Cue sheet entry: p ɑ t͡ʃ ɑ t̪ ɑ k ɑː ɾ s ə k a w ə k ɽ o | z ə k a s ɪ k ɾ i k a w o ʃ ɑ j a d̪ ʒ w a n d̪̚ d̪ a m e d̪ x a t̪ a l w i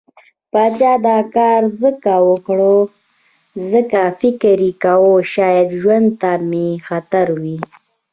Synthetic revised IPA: p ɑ t͡ʃ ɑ d̪ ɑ k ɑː ɾ z ə k a w ə k ɽ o | z ə k a f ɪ k ɾ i k a w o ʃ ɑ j a d̪ ʒ w a n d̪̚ t̪ a m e x a t̪ a ɾ w i